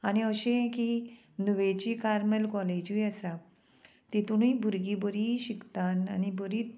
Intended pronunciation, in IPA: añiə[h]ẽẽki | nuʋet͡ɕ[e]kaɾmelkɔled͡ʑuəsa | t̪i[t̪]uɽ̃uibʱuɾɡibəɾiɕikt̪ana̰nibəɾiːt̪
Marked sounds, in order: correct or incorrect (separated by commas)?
incorrect, incorrect, correct